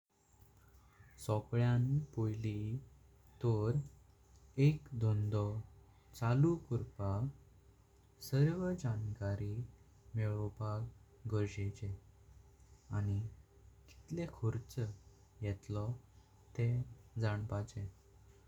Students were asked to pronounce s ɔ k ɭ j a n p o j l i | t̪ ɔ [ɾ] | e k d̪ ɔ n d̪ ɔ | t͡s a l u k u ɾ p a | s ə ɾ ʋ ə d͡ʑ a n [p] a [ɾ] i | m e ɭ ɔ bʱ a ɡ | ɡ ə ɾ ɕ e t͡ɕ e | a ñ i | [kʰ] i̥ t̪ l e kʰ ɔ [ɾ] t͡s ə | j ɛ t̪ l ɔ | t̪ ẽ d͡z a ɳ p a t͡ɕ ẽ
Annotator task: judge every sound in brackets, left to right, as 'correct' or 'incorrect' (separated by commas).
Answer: correct, incorrect, correct, incorrect, correct